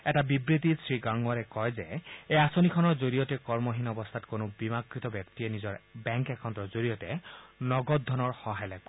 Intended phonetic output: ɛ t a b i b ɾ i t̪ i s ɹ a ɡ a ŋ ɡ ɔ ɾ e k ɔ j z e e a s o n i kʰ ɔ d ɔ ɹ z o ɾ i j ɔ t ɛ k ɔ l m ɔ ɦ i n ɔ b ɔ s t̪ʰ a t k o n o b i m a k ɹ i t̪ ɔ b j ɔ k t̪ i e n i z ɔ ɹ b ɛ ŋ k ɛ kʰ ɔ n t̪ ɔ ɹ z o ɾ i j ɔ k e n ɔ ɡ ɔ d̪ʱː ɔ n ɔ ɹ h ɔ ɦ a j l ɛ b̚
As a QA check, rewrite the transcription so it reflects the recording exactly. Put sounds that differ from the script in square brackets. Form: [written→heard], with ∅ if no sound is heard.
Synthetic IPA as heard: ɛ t a b i b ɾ i t̪ i s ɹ [a→i] ɡ a ŋ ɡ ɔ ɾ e k ɔ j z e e a s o n i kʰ ɔ [d→n] ɔ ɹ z o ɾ i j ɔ t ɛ k ɔ [l→ɹ] m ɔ ɦ i n ɔ b ɔ s t̪ʰ a t k o n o b i m a k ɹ i t̪ ɔ b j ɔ k t̪ i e n i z ɔ ɹ b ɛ ŋ k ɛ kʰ ɔ n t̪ ɔ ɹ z o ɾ i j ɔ [k→t] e n ɔ ɡ ɔ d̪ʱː ɔ n ɔ ɹ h ɔ ɦ a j l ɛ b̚

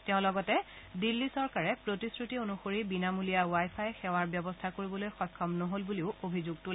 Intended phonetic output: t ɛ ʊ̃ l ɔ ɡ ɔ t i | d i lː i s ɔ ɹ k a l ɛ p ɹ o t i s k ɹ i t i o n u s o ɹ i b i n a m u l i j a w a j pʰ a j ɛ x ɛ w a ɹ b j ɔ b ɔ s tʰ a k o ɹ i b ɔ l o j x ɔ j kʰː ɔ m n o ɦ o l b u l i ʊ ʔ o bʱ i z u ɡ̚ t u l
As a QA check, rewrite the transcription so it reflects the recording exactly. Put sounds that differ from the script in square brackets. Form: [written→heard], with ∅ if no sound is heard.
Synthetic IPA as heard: t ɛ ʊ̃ l ɔ ɡ ɔ t [i→ɛ] | d i lː i s ɔ ɹ k a [l→ɹ] ɛ p ɹ o t i s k ɹ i t i o n u [s→x] o ɹ i b i n a m u l i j a w a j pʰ a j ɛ x ɛ w a ɹ b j ɔ b ɔ s tʰ a k o ɹ i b ɔ l o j x ɔ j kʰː ɔ m n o ɦ o l b u l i ʊ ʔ o bʱ i z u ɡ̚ t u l

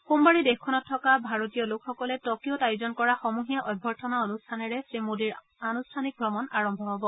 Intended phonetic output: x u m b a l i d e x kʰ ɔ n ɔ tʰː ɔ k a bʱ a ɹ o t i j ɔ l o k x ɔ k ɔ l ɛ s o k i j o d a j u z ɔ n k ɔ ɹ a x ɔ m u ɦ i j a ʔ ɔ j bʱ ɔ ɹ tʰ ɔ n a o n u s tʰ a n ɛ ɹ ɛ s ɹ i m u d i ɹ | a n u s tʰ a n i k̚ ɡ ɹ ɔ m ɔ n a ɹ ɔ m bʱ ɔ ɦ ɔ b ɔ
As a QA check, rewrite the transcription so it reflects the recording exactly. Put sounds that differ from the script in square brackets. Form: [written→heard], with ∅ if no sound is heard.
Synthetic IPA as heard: x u m b a [l→ɹ] i d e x kʰ ɔ n ɔ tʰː ɔ k a bʱ a ɹ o t i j ɔ l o k x ɔ k ɔ l ɛ [s→t] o k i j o [d→t] a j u z ɔ n k ɔ ɹ a x ɔ m u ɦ i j a ʔ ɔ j bʱ ɔ ɹ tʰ ɔ n a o n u s tʰ a n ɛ ɹ ɛ s ɹ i m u d i ɹ | a n u s tʰ a n i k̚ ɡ ɹ ɔ m ɔ n a ɹ ɔ m bʱ ɔ ɦ ɔ b ɔ

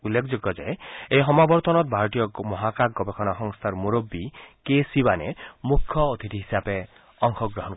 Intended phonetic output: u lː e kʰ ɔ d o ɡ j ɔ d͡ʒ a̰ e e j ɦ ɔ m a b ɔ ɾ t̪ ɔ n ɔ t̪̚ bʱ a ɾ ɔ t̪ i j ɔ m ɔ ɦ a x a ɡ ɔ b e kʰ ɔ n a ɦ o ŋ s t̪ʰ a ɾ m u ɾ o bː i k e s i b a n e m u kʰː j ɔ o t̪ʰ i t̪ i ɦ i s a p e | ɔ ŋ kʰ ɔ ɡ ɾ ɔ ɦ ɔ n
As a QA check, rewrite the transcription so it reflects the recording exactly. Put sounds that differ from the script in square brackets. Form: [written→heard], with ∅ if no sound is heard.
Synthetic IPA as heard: u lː e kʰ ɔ [d→d͡ʒ] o ɡ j ɔ d͡ʒ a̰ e e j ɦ ɔ m a b ɔ ɾ t̪ ɔ n ɔ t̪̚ bʱ a ɾ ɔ t̪ i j ɔ m ɔ ɦ a [x→k] a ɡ ɔ b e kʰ ɔ n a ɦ [o→ɔ] ŋ s t̪ʰ a ɾ m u ɾ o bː i k e s i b a n e m u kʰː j ɔ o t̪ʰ i t̪ i ɦ i s a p e | ɔ ŋ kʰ ɔ ɡ ɾ ɔ ɦ ɔ n

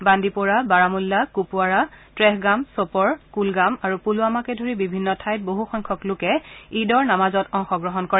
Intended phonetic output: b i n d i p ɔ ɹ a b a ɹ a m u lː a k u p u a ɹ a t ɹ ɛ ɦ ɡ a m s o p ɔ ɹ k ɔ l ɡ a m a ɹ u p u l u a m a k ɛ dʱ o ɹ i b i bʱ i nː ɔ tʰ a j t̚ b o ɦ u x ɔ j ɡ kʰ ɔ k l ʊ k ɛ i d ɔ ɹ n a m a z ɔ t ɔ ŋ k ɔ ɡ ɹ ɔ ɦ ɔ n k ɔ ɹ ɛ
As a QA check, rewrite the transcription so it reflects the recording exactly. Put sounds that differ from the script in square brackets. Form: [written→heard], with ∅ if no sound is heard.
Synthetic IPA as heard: b [i→a] n d i p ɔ ɹ a b a ɹ a m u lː a k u p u a ɹ a t ɹ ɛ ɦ ɡ a m s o p ɔ ɹ k [ɔ→u] l ɡ a m a ɹ u p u l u a m a k ɛ dʱ o ɹ i b i bʱ i nː ɔ tʰ a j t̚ b o ɦ u x ɔ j [ɡ→ŋ] kʰ ɔ k l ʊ k ɛ i d ɔ ɹ n a m a z ɔ t ɔ ŋ [k→x] ɔ ɡ ɹ ɔ ɦ ɔ n k ɔ ɹ ɛ

